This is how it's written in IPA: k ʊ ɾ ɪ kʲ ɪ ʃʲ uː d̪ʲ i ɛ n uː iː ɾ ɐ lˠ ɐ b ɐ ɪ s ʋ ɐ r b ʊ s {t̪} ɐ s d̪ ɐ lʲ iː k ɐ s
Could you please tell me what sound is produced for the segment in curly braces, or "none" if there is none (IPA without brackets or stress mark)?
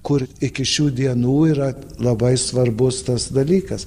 t̪